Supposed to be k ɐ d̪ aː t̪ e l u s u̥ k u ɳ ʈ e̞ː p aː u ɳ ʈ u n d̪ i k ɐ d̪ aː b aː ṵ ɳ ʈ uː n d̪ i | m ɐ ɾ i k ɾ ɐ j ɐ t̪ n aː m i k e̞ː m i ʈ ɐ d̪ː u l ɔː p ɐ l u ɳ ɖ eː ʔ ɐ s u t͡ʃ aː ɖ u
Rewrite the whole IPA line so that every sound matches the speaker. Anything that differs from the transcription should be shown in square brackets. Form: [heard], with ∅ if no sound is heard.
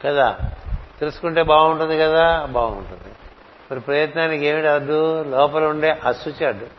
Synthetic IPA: k ɐ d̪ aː t̪ e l u s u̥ k u ɳ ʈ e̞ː [b] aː u ɳ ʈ u n d̪ i k ɐ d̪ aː b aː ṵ ɳ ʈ [u] n d̪ i | m ɐ ɾ i [p] ɾ ɐ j ɐ t̪ n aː [n] i k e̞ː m i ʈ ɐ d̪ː u l ɔː p ɐ l u ɳ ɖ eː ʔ ɐ s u t͡ʃ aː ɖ u